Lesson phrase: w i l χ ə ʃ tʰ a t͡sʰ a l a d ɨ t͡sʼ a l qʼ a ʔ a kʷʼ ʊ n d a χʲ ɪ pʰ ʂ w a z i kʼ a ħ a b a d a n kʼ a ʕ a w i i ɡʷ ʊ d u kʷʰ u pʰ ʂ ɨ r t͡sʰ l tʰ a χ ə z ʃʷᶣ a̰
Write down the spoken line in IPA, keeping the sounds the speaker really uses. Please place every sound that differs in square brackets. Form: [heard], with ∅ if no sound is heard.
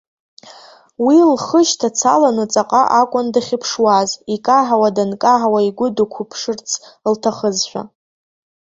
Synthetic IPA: w i l χ ə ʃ tʰ a t͡sʰ a l a [n] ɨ t͡sʼ a [∅] qʼ a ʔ a kʷʼ ʊ n d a χʲ ɪ pʰ ʂ w a z i kʼ a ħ a [w] a d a n kʼ a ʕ a w [a] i ɡʷ ʊ d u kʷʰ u pʰ ʂ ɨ r t͡sʰ l tʰ a χ ə z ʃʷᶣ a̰